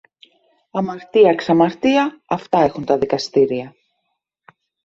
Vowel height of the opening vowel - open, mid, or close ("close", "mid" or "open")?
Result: open